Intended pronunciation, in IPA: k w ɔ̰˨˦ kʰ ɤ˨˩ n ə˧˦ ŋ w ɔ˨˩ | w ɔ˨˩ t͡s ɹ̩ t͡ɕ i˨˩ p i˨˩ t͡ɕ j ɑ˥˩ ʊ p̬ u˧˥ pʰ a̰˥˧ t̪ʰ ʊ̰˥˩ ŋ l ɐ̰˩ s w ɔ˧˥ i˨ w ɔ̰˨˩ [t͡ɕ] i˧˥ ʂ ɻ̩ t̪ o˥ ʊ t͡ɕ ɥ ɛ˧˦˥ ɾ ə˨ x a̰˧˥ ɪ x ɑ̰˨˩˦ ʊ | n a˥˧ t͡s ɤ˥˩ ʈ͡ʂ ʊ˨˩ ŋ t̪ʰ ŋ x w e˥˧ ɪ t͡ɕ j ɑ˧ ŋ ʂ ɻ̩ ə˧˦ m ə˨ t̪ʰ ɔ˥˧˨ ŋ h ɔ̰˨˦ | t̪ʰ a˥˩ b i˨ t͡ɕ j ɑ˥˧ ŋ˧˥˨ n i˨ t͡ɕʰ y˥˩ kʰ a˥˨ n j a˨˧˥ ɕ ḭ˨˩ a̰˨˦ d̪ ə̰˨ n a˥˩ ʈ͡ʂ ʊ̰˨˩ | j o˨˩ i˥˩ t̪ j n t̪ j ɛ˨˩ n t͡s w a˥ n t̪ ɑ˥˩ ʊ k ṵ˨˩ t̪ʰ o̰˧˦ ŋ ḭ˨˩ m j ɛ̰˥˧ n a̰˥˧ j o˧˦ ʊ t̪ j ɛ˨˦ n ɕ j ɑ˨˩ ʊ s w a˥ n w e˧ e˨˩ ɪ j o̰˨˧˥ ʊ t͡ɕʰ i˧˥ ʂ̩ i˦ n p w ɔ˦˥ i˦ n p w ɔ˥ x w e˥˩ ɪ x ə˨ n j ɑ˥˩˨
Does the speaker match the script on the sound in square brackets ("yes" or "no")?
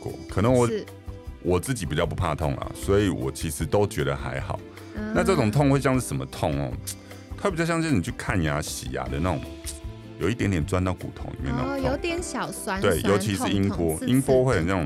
no